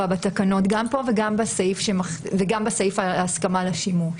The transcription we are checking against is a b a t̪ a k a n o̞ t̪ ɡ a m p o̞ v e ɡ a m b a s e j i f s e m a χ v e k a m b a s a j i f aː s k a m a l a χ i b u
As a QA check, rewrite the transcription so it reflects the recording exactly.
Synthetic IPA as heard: a b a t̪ a k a n o̞ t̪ ɡ a m p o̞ v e ɡ a m b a s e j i f ʃ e m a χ v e ɡ a m b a s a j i f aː s k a m a l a ʃ i m u